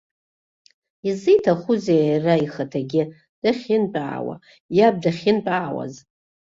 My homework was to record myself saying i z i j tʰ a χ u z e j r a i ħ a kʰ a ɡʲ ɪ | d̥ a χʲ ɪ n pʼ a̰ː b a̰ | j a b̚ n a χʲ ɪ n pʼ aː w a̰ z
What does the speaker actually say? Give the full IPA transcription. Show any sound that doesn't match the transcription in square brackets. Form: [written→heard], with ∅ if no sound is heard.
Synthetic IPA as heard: i z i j tʰ a χ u z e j r a i [ħ→χ] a [kʰ→tʰ] a ɡʲ ɪ | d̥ a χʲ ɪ n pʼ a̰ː [b→w] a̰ | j a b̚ [n→d] a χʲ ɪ n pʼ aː w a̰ z